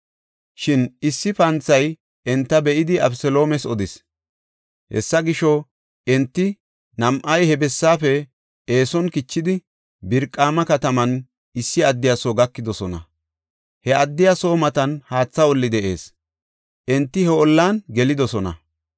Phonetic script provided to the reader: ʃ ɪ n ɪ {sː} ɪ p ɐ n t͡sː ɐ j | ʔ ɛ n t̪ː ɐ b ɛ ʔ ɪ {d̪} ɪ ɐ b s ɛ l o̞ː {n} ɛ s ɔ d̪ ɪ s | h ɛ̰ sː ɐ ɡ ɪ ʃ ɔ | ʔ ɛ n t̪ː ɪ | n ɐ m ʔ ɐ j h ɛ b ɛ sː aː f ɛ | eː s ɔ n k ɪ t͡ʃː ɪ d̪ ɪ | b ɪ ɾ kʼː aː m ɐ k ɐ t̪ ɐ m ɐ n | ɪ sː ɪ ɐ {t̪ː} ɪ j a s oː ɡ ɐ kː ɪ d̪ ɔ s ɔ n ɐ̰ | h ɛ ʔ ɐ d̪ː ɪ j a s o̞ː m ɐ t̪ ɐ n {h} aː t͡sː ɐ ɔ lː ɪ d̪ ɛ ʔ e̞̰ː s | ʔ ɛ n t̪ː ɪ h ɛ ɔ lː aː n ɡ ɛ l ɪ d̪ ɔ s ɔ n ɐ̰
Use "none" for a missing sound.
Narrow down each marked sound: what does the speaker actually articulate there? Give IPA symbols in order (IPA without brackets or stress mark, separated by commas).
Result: sː, d̪, m, d̪ː, h